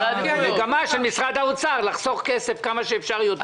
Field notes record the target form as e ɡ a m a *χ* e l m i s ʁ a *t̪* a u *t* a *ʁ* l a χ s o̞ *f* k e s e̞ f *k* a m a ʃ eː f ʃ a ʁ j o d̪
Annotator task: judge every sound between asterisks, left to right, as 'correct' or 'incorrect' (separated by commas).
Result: incorrect, incorrect, incorrect, correct, incorrect, correct